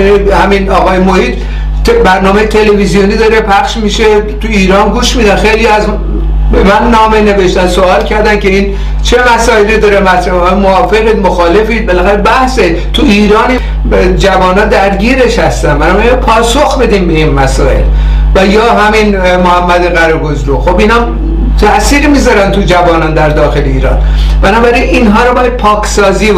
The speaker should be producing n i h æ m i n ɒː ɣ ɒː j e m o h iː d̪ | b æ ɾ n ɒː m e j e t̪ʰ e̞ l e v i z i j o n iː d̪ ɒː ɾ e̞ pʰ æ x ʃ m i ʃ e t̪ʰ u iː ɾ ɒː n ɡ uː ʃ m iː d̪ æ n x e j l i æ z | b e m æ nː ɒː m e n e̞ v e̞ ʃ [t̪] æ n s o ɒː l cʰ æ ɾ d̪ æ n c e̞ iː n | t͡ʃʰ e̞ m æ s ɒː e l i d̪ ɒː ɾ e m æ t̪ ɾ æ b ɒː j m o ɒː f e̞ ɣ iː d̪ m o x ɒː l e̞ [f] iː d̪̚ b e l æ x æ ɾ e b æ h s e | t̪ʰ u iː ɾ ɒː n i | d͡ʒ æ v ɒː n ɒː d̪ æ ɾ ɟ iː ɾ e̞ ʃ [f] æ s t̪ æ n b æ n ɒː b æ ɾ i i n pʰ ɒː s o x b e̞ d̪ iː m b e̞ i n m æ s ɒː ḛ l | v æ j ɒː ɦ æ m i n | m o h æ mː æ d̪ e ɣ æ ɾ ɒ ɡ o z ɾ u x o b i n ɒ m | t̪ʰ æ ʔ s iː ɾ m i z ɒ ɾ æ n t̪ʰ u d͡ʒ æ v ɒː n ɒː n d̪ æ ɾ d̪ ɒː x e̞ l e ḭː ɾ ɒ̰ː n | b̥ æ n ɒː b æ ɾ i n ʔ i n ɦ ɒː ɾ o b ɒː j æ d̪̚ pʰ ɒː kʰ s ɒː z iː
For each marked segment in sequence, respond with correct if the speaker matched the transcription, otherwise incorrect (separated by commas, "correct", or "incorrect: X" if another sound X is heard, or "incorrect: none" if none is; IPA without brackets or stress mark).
correct, correct, incorrect: h